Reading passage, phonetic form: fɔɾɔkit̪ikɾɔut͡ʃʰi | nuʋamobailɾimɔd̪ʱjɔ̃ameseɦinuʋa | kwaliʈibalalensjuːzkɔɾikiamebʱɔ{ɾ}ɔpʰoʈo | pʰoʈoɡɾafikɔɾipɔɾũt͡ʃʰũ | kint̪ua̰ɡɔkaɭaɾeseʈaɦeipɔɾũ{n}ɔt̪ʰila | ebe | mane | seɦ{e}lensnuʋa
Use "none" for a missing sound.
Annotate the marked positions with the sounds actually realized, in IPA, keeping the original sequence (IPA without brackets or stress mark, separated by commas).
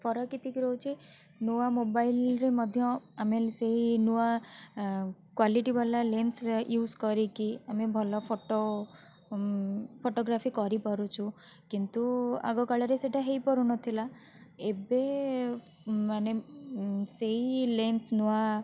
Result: l, n, i